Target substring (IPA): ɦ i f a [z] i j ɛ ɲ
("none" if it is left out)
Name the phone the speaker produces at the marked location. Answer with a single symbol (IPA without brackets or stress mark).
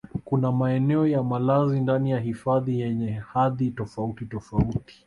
ð